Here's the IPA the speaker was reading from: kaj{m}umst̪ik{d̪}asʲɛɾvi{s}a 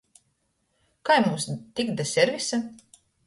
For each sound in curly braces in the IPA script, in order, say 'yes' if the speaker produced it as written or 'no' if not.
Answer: yes, yes, yes

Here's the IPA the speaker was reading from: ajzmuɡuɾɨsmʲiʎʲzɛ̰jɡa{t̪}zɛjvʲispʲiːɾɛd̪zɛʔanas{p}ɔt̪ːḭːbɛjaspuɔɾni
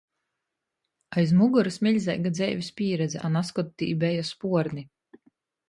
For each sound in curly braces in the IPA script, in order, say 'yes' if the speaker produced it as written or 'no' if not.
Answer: no, no

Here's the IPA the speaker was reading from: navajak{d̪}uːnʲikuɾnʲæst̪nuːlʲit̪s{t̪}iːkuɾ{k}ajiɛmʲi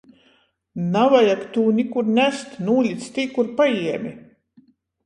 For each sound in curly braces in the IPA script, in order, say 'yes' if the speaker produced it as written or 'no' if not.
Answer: no, yes, no

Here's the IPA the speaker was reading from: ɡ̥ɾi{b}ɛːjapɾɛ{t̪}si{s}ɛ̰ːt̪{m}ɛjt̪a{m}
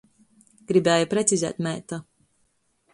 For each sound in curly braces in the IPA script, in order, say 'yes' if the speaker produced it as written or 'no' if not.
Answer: yes, yes, no, yes, no

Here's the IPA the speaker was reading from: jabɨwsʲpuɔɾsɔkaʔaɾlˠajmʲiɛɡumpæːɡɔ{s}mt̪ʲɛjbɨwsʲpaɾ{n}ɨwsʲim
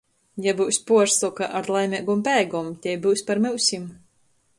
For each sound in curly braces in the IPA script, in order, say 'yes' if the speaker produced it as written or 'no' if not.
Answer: no, no

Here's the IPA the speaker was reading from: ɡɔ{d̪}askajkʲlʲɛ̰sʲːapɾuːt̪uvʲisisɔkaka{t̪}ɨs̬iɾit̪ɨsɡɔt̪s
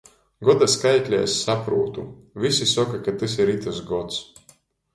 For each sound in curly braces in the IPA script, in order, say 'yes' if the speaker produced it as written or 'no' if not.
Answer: yes, yes

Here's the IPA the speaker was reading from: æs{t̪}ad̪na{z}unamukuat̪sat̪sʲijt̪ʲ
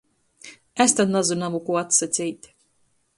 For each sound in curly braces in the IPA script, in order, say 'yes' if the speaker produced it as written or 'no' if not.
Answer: yes, yes

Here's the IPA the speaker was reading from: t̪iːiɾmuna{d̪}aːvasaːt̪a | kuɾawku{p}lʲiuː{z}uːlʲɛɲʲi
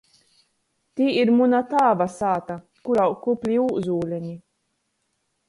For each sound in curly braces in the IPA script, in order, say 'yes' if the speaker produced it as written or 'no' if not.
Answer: no, yes, yes

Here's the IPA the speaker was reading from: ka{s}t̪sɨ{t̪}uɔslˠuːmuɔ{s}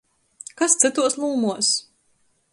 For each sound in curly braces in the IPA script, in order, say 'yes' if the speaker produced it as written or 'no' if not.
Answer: yes, yes, yes

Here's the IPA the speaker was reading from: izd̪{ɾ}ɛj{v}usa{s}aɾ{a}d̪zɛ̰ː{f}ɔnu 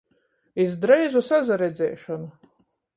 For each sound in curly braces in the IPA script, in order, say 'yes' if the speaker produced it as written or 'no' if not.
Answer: yes, no, no, no, no

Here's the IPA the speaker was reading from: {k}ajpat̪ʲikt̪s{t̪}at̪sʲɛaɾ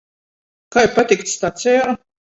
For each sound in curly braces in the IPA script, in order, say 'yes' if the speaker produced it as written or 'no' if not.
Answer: yes, yes

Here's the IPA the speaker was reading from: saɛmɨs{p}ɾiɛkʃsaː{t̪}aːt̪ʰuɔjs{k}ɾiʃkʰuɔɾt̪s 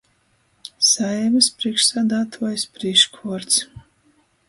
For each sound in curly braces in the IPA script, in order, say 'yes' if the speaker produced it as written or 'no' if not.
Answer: yes, no, no

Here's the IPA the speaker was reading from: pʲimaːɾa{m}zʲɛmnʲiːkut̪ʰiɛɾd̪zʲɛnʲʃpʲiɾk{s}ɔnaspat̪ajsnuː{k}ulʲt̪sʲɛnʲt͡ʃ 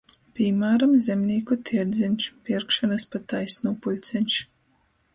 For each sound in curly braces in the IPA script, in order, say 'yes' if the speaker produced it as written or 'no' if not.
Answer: yes, no, no

